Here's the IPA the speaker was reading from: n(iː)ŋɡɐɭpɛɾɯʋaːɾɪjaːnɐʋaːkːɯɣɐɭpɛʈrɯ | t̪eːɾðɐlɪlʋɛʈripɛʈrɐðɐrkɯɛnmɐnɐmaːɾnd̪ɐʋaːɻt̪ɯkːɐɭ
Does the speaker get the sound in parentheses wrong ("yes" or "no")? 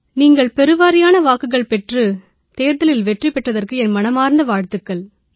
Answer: no